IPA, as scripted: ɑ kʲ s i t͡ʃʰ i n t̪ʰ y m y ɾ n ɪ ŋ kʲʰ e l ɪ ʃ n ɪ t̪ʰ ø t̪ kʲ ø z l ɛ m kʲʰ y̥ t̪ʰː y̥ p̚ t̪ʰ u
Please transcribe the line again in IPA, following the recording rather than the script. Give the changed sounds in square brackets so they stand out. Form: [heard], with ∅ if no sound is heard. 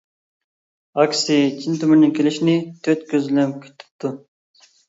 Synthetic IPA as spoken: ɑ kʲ s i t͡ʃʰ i n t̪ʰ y m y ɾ n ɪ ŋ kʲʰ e l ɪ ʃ n ɪ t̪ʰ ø t̪ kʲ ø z l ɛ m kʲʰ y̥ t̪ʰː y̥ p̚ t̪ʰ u